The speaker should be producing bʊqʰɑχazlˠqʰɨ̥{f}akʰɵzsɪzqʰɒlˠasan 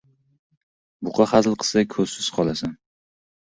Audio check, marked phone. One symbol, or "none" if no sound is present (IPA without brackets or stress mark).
s